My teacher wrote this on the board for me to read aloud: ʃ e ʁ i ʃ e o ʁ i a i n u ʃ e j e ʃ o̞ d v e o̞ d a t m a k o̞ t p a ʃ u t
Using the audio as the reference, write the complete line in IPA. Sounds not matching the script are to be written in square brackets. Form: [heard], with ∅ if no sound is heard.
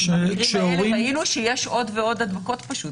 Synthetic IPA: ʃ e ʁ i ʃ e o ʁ i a i n u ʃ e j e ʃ o̞ d v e o̞ d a [d] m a k o̞ t p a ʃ u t